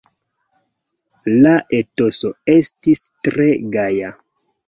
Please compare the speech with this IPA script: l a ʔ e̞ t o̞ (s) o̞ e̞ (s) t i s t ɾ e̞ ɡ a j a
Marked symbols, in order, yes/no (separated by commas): yes, yes